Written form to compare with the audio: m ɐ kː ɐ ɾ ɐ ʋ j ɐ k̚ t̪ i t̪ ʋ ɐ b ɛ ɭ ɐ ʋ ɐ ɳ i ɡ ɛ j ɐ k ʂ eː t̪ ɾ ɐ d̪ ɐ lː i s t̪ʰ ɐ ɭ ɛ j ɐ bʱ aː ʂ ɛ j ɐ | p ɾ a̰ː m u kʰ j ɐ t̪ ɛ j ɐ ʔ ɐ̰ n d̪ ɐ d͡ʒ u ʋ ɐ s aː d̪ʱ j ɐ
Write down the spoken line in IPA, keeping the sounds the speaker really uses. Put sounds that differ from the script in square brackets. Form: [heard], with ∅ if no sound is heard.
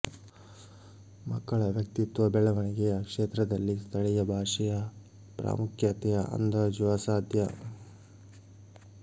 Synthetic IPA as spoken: m ɐ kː ɐ [ɭ] ɐ ʋ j ɐ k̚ t̪ i t̪ ʋ ɐ b ɛ ɭ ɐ ʋ ɐ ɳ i ɡ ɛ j ɐ k ʂ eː t̪ ɾ ɐ d̪ ɐ lː i s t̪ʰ ɐ ɭ ɛ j ɐ bʱ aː ʂ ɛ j ɐ | p ɾ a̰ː m u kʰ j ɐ t̪ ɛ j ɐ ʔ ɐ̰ n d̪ ɐ d͡ʒ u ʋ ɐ s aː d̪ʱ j ɐ